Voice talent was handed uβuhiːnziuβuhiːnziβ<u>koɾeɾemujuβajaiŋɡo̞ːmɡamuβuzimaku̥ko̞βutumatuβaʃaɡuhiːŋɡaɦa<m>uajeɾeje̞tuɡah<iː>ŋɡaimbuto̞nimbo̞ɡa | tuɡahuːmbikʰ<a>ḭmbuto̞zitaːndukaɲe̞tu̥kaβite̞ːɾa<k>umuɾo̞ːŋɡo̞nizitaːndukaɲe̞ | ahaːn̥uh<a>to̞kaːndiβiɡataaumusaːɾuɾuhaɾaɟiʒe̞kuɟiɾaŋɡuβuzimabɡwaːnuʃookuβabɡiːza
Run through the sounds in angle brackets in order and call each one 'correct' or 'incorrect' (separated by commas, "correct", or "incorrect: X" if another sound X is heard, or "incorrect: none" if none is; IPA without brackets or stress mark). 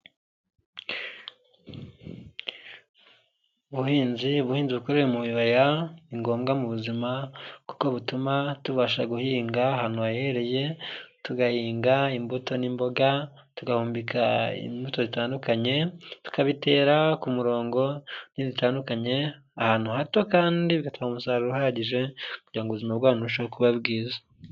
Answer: correct, incorrect: n, correct, correct, correct, correct